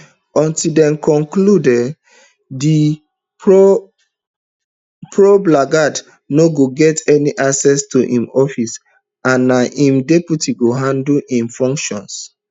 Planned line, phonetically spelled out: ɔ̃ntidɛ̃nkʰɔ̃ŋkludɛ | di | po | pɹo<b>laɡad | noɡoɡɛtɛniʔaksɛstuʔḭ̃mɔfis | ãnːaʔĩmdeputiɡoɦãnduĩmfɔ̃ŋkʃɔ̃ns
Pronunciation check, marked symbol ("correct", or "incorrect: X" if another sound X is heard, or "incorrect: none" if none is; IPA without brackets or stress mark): correct